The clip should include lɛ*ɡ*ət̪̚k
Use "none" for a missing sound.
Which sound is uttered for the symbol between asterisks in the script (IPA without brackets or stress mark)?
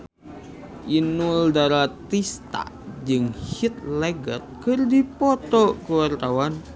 ɡ